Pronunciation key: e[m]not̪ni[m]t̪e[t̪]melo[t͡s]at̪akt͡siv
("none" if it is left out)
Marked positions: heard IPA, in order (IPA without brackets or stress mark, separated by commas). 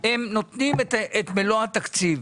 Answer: m, m, t̪, none